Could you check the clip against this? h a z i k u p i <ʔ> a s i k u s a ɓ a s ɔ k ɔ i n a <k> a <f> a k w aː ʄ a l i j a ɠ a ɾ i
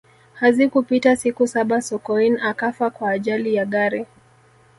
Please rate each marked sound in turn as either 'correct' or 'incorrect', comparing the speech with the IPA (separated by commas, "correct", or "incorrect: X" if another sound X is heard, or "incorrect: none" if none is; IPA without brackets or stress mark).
incorrect: t, correct, correct